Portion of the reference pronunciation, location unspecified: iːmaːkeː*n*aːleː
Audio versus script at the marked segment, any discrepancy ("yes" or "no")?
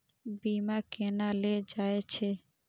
no